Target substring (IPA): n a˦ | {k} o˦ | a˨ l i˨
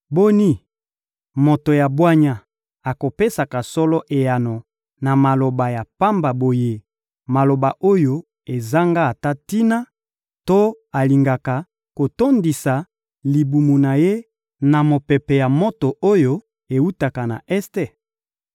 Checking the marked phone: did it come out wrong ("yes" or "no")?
yes